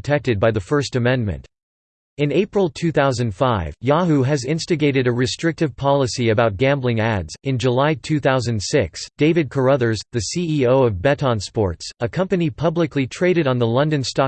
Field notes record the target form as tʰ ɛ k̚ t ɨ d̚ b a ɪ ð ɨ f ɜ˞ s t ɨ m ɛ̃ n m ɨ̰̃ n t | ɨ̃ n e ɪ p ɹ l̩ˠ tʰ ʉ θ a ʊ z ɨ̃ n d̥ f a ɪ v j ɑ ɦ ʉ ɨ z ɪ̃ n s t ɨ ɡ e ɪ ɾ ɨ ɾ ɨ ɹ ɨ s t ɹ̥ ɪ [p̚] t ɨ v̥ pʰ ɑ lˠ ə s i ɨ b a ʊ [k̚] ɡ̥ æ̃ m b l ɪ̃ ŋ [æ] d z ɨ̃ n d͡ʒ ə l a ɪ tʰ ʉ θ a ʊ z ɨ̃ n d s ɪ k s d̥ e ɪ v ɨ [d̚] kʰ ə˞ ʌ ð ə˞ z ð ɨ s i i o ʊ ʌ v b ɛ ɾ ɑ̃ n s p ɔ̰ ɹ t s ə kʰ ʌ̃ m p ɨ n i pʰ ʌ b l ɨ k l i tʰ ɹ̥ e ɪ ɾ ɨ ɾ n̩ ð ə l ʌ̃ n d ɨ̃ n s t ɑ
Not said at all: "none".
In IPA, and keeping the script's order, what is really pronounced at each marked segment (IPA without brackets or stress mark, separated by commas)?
k̚, t̚, æ, d̚